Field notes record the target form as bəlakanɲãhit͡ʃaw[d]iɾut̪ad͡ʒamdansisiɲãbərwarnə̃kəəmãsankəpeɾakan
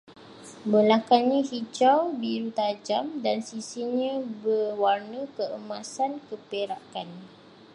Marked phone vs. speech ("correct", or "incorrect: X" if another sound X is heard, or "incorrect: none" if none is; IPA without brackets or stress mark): incorrect: b